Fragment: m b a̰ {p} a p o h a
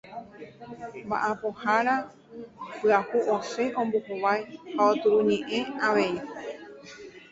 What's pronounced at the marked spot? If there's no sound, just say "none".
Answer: ʔ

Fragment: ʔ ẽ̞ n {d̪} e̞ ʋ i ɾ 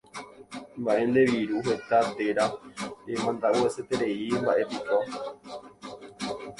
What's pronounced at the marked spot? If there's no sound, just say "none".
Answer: d̪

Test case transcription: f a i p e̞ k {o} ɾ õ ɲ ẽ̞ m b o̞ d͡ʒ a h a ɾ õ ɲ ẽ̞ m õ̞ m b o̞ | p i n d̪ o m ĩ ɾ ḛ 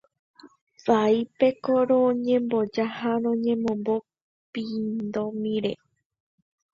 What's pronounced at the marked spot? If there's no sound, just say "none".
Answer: o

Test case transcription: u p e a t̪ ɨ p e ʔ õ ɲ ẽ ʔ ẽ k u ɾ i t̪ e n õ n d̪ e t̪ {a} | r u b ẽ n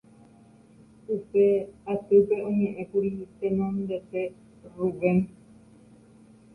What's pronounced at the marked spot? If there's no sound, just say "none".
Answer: e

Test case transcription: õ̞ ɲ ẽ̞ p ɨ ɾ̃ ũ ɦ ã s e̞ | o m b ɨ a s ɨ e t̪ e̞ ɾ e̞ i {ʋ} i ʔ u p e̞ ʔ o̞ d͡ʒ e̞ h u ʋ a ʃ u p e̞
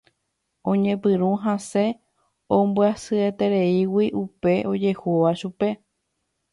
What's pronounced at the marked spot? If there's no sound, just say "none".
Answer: w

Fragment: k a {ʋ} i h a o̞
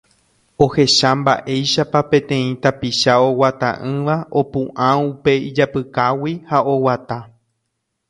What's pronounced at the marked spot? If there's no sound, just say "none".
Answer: w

